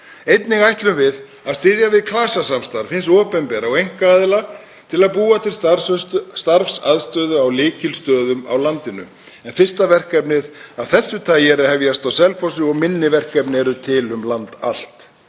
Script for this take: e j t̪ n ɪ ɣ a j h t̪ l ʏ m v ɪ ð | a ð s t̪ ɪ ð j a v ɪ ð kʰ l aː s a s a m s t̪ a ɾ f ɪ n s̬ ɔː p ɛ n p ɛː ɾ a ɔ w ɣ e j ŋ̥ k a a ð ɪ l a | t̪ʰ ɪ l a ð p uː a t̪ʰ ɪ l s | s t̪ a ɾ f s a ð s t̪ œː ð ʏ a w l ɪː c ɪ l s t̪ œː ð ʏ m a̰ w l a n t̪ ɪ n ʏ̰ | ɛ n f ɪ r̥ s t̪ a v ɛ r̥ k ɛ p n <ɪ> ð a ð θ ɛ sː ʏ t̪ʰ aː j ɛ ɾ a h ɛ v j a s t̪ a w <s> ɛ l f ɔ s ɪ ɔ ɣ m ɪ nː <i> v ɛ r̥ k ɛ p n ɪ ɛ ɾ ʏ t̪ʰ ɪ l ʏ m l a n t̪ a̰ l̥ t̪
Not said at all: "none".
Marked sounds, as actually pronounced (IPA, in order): ɪ, s, ɪ

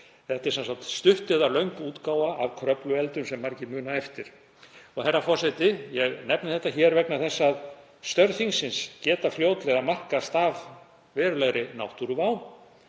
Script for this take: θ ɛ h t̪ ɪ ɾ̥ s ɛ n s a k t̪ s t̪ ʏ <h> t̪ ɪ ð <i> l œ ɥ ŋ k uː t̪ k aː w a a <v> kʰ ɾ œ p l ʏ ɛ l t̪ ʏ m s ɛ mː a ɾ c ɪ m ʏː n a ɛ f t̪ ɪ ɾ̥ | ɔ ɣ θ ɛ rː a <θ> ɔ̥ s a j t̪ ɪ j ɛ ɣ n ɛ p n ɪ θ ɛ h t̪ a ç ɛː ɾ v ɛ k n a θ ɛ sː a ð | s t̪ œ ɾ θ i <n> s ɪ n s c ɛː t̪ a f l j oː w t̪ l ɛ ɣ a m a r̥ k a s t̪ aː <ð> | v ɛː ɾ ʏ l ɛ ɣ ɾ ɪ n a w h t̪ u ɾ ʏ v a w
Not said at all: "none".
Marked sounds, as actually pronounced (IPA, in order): h, a, v, f, ŋ, v

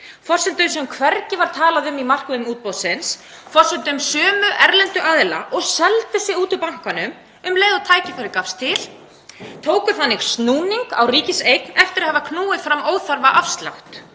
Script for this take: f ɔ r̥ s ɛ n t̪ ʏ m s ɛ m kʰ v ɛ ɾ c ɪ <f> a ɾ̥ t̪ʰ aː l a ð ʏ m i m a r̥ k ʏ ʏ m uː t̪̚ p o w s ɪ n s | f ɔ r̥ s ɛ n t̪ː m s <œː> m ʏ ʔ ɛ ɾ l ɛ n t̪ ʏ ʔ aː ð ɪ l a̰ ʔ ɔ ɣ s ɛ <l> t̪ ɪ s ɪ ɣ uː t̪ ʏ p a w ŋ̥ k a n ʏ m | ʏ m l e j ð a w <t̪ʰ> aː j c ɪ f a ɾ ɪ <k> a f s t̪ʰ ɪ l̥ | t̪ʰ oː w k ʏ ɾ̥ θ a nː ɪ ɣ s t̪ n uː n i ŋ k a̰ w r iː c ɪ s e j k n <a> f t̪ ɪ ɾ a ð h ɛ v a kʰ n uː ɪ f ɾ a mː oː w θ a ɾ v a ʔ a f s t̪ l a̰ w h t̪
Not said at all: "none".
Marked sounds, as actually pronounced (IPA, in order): v, œː, l, t̪ʰ, k, ɛ

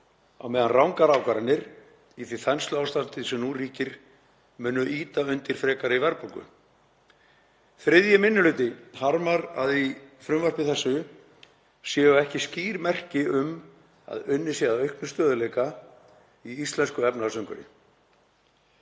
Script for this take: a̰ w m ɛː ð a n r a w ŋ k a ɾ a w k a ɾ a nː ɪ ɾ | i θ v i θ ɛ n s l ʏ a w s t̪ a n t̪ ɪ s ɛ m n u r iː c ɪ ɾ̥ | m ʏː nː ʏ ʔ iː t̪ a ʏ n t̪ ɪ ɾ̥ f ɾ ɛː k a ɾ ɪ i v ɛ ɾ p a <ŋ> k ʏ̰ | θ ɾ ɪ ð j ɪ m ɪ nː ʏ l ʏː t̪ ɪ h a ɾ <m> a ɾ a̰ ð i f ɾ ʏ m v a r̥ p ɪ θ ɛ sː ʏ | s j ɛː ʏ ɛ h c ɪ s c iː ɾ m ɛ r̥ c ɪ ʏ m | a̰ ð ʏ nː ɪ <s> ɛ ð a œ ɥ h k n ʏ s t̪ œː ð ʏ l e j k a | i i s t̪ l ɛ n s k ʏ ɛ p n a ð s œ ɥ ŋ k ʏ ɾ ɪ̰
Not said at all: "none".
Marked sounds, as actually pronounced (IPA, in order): ŋ, m, s

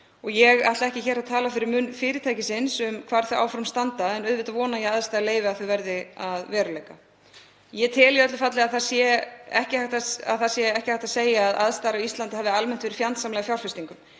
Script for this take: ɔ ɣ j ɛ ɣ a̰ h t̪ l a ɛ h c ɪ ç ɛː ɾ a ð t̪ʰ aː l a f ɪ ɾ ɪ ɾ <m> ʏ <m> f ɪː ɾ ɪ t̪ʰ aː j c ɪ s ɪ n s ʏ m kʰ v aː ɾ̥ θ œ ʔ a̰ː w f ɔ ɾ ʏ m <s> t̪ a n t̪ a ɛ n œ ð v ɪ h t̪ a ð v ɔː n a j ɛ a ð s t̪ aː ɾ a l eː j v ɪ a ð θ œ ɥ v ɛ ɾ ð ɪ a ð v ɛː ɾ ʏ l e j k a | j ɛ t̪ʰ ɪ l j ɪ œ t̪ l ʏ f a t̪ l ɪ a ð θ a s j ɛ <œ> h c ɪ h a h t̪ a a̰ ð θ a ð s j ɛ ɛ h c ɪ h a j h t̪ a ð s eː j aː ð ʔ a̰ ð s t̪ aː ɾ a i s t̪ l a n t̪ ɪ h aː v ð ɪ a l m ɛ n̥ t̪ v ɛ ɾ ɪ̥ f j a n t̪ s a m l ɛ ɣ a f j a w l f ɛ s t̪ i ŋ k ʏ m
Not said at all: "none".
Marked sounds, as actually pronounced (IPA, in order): m, n, s, ɛ

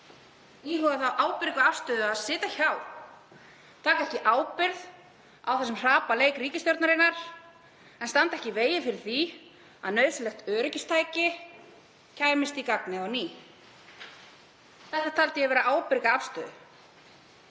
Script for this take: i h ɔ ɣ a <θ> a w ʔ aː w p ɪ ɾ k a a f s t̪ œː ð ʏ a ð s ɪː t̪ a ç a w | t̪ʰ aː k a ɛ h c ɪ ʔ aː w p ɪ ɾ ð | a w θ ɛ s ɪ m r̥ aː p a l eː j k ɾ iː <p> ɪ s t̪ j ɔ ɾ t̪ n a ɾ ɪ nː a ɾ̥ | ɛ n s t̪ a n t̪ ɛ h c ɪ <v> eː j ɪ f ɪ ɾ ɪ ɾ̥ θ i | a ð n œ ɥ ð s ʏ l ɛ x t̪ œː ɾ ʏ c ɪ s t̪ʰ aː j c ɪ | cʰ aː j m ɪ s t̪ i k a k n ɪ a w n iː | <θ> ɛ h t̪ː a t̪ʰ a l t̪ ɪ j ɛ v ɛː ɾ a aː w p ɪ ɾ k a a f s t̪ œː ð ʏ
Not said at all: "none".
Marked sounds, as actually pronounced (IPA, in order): θ, c, v, θ

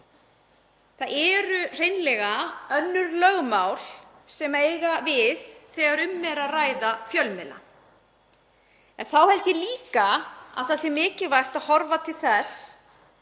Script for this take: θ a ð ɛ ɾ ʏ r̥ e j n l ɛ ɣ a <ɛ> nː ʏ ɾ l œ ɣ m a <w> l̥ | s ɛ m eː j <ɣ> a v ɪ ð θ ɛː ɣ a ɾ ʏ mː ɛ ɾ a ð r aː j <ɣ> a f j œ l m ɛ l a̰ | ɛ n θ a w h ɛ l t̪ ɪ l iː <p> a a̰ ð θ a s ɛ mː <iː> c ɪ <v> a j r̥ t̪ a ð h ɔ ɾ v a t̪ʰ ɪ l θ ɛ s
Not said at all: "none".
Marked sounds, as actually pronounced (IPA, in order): œ, w, ɣ, ð, k, ɪː, v

